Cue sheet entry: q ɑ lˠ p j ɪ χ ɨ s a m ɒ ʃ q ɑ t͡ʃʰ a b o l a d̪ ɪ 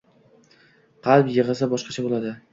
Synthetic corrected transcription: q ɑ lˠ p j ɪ ʁ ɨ s a b ɒ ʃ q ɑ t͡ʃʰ a b o l a d̪ ɪ

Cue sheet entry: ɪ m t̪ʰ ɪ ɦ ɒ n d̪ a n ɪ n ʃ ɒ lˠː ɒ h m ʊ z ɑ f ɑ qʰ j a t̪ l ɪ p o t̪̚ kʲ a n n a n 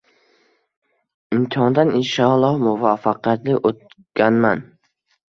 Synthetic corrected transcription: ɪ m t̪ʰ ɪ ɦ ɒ n d̪ a n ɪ n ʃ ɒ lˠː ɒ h m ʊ v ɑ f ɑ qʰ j a t̪ l ɪ ʔ o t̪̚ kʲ a n m a n

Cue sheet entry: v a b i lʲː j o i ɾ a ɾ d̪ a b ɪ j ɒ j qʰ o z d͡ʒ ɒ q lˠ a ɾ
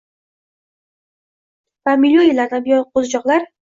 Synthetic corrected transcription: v a m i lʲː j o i l a ɾ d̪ a b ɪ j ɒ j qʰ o z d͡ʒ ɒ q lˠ a ɾ

